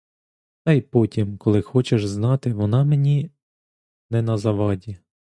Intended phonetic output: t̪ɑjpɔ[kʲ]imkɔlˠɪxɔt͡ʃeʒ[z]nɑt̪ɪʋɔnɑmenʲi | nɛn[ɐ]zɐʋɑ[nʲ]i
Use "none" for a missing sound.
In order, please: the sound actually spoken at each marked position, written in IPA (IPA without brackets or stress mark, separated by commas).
tʲ, z, ɐ, dʲ